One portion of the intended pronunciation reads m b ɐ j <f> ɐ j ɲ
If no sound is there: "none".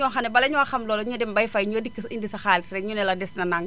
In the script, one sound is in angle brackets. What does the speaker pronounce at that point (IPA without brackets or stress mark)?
f